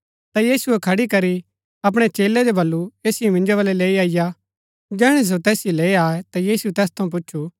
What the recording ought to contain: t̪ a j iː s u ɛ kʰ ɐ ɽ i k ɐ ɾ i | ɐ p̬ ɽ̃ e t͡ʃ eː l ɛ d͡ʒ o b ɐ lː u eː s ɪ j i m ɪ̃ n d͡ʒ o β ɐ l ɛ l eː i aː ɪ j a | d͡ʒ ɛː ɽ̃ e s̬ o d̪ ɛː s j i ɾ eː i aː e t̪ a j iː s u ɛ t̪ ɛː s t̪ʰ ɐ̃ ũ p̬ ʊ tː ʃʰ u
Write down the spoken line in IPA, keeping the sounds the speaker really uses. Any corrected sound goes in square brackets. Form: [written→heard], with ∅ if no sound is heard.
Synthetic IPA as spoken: t̪ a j iː s u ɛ kʰ ɐ ɽ i k ɐ ɾ i | ɐ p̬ ɽ̃ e t͡ʃ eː l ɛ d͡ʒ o b ɐ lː u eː s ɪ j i m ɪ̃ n d͡ʒ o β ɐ l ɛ l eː i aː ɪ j a | d͡ʒ ɛː ɽ̃ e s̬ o [d̪→t̪] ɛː s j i [ɾ→l] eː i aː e t̪ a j iː s u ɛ t̪ ɛː s t̪ʰ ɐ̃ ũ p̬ ʊ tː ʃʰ u

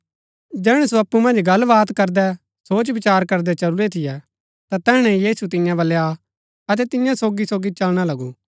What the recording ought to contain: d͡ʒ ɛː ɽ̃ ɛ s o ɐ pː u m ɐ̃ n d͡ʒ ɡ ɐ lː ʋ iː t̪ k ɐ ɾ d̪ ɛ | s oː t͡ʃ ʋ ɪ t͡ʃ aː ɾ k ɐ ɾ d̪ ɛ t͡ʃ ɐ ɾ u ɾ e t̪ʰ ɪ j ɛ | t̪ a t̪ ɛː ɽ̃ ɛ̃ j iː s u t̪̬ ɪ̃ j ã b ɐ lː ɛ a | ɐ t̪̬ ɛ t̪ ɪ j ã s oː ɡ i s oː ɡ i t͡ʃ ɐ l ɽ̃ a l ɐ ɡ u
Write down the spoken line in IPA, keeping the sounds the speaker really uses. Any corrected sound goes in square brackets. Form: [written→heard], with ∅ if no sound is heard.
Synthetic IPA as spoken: d͡ʒ ɛː ɽ̃ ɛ s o ɐ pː u m ɐ̃ n d͡ʒ ɡ ɐ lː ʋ [iː→aː] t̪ k ɐ ɾ d̪ ɛ | s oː t͡ʃ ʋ ɪ t͡ʃ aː ɾ k ɐ ɾ d̪ ɛ t͡ʃ ɐ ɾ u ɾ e t̪ʰ ɪ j ɛ | t̪ a t̪ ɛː ɽ̃ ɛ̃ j iː s u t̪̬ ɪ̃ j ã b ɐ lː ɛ a | ɐ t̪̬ ɛ t̪ ɪ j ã s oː ɡ i s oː ɡ i t͡ʃ ɐ l ɽ̃ a l ɐ ɡ u

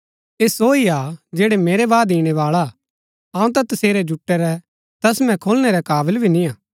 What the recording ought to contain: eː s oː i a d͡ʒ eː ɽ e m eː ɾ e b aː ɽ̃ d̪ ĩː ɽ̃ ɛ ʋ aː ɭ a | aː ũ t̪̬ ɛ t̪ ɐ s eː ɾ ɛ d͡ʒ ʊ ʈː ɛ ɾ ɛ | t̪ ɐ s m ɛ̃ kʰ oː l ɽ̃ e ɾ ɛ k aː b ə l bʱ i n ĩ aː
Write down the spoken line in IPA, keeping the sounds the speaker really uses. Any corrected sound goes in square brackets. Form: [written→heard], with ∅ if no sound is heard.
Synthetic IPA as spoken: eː s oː i a d͡ʒ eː ɽ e m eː ɾ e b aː [ɽ̃→∅] d̪ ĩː ɽ̃ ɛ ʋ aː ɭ a | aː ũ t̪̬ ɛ t̪ ɐ s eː ɾ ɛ d͡ʒ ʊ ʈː ɛ ɾ ɛ | t̪ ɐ s m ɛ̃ kʰ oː l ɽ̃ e ɾ ɛ k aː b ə l bʱ i n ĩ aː

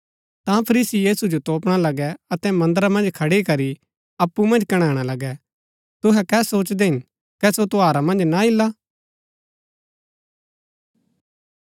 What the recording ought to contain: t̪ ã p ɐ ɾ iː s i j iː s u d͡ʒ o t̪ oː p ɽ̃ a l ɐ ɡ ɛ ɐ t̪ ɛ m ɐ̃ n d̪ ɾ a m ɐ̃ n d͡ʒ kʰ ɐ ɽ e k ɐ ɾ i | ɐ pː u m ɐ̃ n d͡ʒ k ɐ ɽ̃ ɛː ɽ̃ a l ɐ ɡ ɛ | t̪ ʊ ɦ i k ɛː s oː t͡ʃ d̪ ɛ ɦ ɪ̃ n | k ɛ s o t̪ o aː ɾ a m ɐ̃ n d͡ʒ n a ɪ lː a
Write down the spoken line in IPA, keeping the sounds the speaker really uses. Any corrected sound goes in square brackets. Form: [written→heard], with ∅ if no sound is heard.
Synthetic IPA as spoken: t̪ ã [p→pʰ] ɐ ɾ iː s i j iː s u d͡ʒ o t̪ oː p ɽ̃ a l ɐ ɡ ɛ ɐ t̪ ɛ m ɐ̃ n d̪ ɾ a m ɐ̃ n d͡ʒ kʰ ɐ ɽ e k ɐ ɾ i | ɐ pː u m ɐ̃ n d͡ʒ k ɐ ɽ̃ [ɛː→aː] ɽ̃ a l ɐ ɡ ɛ | t̪ ʊ ɦ [i→ɛ] k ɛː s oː t͡ʃ d̪ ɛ ɦ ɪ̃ n | k ɛ s o t̪ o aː ɾ a m ɐ̃ n d͡ʒ n a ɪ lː a

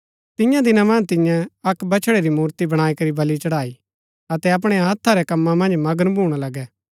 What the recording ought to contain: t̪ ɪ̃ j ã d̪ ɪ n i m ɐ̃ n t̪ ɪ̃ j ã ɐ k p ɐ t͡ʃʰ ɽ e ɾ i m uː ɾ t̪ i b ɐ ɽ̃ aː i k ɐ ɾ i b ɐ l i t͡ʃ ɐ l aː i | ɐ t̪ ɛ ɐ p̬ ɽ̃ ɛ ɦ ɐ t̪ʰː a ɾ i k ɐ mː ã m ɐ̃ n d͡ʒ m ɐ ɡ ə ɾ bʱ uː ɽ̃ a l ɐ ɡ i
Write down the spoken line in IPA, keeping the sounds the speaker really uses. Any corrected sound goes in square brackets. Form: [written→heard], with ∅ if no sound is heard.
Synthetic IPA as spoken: t̪ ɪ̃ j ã d̪ ɪ n [i→a] m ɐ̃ n t̪ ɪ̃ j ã ɐ k [p→b] ɐ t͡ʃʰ ɽ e ɾ i m uː ɾ t̪ i b ɐ ɽ̃ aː i k ɐ ɾ i b ɐ l i t͡ʃ ɐ [l→ɽ] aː i | ɐ t̪ ɛ ɐ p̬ ɽ̃ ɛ ɦ ɐ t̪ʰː a ɾ [i→ɛ] k ɐ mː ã m ɐ̃ n d͡ʒ m ɐ ɡ ə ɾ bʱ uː ɽ̃ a l ɐ ɡ [i→ɛ]

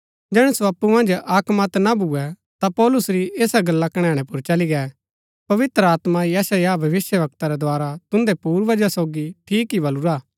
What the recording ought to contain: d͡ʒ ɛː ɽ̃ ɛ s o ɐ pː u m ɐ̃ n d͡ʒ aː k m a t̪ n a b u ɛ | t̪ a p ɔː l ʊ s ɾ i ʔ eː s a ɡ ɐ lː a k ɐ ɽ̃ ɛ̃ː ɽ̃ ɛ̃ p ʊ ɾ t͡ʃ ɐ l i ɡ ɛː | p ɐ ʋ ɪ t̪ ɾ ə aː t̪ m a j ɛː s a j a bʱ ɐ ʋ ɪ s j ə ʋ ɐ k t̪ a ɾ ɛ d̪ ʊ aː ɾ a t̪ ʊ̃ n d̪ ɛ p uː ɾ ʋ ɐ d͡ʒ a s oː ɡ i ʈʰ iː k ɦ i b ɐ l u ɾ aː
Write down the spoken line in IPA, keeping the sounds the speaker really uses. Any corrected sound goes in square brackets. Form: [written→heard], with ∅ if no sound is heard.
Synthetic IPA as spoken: d͡ʒ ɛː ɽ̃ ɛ s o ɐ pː u m ɐ̃ n d͡ʒ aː k m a t̪ n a b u ɛ | t̪ a p ɔː l ʊ s ɾ i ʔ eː s a ɡ ɐ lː a k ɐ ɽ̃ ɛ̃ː ɽ̃ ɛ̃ p ʊ ɾ t͡ʃ ɐ l i ɡ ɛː | p ɐ ʋ ɪ t̪ ɾ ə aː t̪ m a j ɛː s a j a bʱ ɐ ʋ ɪ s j ə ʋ ɐ k t̪ a ɾ ɛ d̪ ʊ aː ɾ a t̪ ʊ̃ n d̪ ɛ p uː ɾ ʋ ɐ d͡ʒ a s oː ɡ i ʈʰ iː k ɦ i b ɐ l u ɾ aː

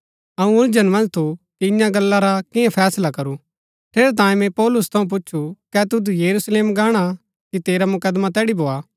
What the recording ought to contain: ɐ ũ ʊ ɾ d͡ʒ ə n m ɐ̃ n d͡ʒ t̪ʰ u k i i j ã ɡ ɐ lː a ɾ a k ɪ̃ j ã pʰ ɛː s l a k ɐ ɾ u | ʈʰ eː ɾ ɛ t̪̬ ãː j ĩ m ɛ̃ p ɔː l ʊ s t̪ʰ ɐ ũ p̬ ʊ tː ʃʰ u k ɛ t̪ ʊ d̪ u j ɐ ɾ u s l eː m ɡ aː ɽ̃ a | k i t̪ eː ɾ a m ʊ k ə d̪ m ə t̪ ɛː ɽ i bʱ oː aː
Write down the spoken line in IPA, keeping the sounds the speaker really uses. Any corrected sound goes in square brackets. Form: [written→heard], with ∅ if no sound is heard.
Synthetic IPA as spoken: ɐ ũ ʊ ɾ d͡ʒ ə n m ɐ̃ n d͡ʒ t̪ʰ u k i [i→ɪ] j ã ɡ ɐ lː a ɾ a k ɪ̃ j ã pʰ ɛː s l a k ɐ ɾ u | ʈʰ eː ɾ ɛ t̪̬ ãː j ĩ m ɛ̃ p ɔː l ʊ s t̪ʰ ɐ ũ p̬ ʊ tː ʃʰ u k ɛ t̪ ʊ d̪ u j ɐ ɾ u s l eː m ɡ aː ɽ̃ a | k i t̪ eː ɾ a m ʊ k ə d̪ m [ə→a] t̪ ɛː ɽ i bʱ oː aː

